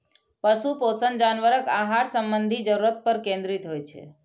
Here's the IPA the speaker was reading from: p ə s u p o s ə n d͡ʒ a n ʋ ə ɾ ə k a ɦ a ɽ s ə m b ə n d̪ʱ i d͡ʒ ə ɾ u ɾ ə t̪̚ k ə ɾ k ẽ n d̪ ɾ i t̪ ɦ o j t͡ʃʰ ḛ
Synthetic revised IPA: p ə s u p o s ə n d͡ʒ a n ʋ ə ɾ ə k a ɦ a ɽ s ə m b ə n d̪ʱ i d͡ʒ ə ɾ u ɾ ə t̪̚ p ə ɾ k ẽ n d̪ ɾ i t̪ ɦ o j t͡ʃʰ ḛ